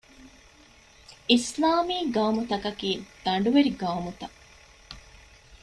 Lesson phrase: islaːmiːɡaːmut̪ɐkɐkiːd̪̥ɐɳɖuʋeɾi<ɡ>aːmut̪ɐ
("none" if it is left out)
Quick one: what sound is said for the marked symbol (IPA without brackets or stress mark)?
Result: ɡ